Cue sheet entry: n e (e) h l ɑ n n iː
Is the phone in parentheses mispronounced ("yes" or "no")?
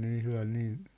yes